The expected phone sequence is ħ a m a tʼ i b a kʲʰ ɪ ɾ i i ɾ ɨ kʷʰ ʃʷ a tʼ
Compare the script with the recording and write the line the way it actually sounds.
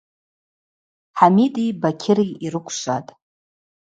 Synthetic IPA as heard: ħ a m i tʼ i b a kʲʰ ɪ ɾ i i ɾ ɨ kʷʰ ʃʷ a tʼ